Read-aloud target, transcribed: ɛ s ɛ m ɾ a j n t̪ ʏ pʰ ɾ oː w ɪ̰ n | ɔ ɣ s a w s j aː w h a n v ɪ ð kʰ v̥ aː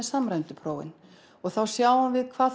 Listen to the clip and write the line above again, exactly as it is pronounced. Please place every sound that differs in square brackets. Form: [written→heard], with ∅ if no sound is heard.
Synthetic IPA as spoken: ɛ s [ɛ→a] m ɾ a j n t̪ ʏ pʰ ɾ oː w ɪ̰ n | ɔ ɣ [s→θ] a w s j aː w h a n v ɪ ð kʰ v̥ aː

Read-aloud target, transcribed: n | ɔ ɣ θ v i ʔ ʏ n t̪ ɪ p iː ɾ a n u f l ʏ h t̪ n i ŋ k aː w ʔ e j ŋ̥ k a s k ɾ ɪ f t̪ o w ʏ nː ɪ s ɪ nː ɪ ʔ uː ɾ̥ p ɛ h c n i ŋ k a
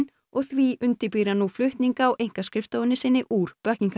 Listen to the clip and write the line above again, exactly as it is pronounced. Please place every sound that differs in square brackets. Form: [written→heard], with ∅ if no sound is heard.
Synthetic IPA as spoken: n | ɔ ɣ θ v i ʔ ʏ n t̪ ɪ p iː ɾ a n u f l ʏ h t̪ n i ŋ k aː w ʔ e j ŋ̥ k a s k ɾ ɪ f t̪ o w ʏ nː ɪ s ɪ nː ɪ ʔ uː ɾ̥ p [ɛ→œ] h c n i ŋ k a

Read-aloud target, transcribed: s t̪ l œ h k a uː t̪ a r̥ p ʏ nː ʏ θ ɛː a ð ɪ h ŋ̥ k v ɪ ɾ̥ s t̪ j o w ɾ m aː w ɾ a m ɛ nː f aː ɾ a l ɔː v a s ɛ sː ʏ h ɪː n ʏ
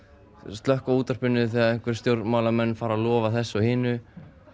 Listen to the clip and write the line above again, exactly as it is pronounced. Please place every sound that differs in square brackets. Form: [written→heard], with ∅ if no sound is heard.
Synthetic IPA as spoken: s t̪ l œ h k a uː t̪ a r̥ p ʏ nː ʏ θ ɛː a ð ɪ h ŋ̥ k v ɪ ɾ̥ s t̪ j o w ɾ m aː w [ɾ→l] a m ɛ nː f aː ɾ a l ɔː v a [s→θ] ɛ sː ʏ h ɪː n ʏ

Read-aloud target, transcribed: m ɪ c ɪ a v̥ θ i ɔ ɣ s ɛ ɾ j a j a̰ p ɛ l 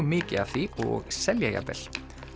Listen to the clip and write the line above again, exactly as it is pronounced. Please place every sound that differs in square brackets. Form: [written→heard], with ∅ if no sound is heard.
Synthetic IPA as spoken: m [ɪ→ɪː] c ɪ a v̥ θ i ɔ ɣ s ɛ [ɾ→l] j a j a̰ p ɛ l

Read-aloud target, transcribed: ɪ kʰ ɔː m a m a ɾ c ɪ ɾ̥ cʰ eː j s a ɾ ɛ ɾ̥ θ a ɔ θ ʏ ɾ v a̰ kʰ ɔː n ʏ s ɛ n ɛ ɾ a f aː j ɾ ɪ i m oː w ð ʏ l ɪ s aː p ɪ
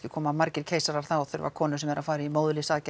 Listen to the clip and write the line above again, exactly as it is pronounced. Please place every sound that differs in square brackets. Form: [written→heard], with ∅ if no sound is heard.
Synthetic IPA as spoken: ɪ kʰ ɔː m a m a ɾ c ɪ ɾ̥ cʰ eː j s a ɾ [ɛ→a] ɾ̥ θ a ɔ θ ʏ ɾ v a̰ kʰ ɔː n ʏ s ɛ [n→m] ɛ ɾ a f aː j ɾ ɪ i m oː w ð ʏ l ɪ s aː [p→c] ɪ

